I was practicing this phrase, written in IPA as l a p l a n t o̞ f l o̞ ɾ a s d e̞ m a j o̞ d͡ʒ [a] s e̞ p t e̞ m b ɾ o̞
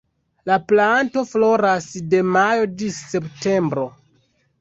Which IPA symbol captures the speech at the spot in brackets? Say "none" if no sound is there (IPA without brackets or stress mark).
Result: i